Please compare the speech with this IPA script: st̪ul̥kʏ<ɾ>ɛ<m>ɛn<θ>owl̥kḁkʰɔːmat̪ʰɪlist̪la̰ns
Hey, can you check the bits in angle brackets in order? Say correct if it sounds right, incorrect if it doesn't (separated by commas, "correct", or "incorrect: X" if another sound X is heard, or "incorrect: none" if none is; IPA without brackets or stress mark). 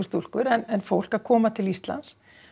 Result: correct, incorrect: n, incorrect: f